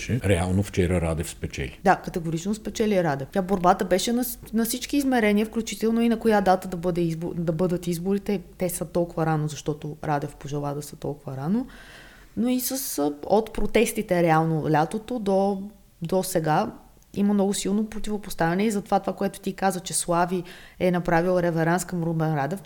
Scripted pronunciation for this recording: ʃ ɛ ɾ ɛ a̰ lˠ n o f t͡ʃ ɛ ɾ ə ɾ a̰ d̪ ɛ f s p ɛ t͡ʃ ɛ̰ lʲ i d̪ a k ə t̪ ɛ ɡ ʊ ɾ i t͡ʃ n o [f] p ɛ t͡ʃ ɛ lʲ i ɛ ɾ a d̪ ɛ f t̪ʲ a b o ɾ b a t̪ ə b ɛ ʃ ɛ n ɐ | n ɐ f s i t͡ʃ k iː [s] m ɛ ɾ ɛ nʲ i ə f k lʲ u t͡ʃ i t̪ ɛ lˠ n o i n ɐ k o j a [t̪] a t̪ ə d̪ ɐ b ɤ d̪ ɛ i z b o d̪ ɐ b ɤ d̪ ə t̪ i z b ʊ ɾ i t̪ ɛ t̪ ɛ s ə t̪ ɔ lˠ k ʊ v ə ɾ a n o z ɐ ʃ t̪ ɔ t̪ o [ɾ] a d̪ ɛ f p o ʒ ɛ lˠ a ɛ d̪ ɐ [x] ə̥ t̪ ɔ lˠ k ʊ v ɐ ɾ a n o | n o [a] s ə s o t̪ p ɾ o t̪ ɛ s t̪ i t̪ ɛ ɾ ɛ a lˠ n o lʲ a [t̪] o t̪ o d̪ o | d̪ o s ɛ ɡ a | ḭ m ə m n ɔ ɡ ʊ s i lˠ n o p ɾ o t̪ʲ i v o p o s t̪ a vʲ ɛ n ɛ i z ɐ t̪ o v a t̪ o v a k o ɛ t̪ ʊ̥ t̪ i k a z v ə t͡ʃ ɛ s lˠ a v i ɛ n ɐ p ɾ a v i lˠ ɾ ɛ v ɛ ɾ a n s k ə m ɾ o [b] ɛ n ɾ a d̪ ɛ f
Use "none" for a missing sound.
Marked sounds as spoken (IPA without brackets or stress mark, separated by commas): s, z, d̪, ɾ, s, i, t̪, b